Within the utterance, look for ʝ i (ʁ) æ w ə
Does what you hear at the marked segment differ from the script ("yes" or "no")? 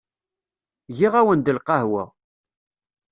no